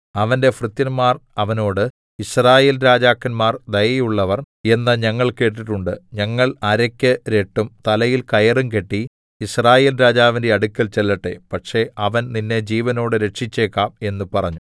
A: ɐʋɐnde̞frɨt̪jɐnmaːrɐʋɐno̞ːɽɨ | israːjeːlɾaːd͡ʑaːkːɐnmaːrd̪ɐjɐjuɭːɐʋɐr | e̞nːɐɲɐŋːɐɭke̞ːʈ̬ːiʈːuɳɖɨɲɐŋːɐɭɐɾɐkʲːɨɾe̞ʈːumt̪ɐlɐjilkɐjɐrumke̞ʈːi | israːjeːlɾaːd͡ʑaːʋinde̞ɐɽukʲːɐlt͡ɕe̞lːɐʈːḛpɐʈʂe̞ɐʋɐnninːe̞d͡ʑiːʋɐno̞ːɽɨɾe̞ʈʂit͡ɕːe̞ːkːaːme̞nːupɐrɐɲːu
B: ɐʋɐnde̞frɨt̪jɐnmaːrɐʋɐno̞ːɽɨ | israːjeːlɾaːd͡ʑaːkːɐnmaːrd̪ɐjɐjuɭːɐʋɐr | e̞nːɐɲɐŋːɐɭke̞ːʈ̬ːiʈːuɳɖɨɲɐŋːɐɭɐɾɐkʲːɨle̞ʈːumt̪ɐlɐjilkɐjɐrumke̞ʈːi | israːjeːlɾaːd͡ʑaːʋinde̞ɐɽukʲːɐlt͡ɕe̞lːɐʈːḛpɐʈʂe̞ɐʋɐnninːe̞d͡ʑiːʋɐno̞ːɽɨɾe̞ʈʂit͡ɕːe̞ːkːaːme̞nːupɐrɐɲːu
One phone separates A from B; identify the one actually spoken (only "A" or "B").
A